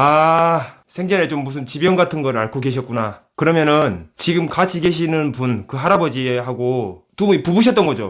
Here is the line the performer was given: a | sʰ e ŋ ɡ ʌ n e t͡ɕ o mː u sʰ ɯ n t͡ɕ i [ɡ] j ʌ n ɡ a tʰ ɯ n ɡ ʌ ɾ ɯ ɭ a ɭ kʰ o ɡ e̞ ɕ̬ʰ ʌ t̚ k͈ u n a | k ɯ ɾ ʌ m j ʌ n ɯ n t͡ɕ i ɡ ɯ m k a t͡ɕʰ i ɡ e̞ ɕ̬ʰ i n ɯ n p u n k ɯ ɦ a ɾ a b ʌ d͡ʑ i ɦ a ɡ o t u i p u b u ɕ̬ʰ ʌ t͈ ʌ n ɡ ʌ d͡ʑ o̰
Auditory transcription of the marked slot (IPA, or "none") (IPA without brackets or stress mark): b